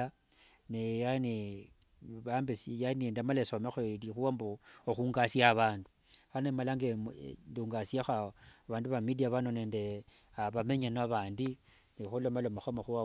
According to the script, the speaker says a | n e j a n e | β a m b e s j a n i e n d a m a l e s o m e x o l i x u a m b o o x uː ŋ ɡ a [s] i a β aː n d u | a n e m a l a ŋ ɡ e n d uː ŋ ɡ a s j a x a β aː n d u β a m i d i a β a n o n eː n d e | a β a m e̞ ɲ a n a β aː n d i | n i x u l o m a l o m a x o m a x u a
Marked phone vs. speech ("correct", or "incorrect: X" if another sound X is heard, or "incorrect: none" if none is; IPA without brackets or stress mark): correct